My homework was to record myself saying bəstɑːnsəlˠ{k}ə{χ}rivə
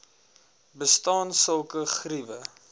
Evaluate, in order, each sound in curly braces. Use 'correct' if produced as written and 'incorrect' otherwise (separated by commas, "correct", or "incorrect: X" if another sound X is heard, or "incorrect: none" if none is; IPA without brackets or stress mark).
correct, correct